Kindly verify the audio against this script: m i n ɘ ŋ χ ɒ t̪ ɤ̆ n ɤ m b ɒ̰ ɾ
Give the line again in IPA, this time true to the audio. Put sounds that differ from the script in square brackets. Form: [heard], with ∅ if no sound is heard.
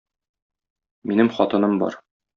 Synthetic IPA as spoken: m i n ɘ [m] χ ɒ t̪ ɤ̆ n ɤ m b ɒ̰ ɾ